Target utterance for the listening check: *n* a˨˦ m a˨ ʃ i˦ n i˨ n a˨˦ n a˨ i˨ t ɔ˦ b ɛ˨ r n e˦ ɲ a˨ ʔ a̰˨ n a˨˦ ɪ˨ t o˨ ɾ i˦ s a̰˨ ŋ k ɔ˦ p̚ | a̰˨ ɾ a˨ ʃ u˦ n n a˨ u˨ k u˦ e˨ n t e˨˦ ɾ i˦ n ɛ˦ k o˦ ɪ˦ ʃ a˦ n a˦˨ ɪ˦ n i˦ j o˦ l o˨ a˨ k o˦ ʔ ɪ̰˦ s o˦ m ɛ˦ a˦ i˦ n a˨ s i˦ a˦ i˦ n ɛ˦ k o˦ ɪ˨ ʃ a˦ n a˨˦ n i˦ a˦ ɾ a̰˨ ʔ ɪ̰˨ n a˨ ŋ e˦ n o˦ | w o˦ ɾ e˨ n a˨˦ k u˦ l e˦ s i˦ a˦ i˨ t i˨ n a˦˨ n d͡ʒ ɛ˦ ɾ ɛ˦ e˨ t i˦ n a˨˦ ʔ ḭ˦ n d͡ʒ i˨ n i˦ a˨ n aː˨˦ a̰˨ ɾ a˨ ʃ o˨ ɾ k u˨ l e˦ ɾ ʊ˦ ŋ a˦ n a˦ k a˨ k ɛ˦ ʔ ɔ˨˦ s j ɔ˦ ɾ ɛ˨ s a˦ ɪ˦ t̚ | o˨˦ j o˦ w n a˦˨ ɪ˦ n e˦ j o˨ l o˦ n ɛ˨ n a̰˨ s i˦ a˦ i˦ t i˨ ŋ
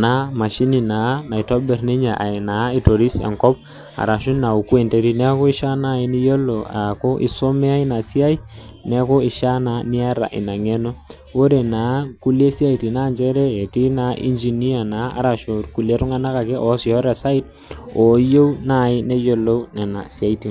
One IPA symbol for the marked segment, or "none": n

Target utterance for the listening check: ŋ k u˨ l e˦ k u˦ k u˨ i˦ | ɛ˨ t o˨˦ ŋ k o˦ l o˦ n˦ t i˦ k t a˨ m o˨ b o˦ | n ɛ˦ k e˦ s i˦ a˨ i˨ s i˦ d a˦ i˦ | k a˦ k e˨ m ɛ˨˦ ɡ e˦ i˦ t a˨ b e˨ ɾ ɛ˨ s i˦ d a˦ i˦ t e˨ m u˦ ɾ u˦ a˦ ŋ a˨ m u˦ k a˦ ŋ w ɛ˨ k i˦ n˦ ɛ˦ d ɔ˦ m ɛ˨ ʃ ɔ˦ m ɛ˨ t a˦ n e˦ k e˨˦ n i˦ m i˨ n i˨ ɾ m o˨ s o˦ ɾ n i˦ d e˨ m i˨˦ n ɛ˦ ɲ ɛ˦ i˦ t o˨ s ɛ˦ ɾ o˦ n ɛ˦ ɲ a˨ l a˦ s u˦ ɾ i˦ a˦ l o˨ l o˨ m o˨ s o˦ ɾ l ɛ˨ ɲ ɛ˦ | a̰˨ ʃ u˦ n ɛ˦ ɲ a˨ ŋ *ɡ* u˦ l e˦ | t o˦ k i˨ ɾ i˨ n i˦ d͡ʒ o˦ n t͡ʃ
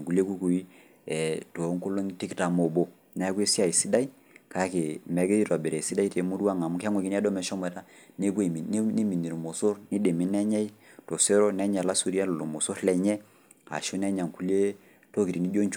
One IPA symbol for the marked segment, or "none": k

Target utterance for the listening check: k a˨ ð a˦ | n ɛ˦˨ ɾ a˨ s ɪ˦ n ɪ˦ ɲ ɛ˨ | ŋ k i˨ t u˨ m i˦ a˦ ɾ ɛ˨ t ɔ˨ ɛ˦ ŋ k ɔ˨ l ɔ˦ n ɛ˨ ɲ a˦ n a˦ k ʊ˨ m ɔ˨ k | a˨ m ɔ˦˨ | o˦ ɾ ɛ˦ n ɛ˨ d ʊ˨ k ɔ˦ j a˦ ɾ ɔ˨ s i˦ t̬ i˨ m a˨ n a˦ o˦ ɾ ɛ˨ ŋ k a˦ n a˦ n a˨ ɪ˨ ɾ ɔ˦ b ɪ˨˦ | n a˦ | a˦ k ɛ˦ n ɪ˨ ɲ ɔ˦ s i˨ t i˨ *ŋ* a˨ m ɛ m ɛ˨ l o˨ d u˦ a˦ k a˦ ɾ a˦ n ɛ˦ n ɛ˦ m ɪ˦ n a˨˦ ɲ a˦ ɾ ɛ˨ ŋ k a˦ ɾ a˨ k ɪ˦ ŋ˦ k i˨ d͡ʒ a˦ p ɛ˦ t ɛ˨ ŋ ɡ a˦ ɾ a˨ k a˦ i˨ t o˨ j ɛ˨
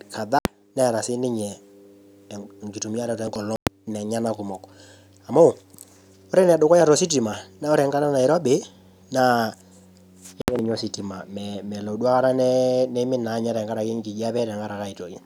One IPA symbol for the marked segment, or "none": m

